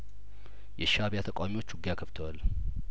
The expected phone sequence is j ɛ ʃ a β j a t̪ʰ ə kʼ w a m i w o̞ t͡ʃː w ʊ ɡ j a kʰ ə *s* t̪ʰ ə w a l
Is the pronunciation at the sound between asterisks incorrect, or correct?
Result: incorrect